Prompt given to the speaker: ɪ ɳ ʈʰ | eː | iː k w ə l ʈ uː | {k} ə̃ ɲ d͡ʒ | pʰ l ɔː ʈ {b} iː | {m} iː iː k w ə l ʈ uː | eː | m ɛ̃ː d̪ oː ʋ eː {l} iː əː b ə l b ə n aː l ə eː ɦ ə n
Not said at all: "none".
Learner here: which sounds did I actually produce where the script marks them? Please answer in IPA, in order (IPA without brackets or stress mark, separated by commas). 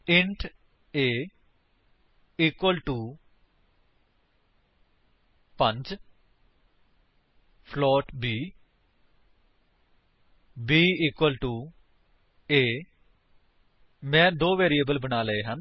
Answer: p, b, b, ɾ